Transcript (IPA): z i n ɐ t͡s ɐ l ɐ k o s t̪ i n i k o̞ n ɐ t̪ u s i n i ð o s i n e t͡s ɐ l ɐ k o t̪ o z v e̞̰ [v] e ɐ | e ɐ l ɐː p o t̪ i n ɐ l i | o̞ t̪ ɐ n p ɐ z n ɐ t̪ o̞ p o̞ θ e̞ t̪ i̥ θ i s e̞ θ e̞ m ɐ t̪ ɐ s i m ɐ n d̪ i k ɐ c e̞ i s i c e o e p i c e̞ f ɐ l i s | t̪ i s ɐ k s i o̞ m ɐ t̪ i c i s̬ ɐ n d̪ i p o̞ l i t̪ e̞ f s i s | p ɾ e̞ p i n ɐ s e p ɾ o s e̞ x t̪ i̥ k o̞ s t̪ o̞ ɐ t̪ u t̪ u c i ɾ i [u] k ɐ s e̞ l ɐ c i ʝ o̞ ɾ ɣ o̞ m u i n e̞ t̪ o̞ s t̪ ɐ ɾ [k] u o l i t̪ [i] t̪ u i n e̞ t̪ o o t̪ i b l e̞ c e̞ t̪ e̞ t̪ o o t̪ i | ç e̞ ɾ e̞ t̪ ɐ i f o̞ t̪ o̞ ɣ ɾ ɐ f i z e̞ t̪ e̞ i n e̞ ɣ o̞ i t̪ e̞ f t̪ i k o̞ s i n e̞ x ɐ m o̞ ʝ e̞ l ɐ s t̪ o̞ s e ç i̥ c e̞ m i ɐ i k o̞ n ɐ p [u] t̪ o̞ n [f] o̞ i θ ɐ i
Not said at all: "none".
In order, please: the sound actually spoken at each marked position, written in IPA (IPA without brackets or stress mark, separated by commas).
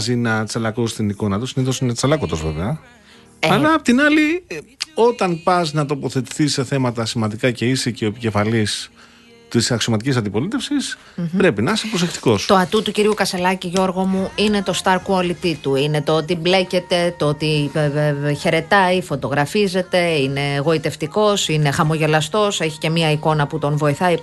v, u, k, i, u, v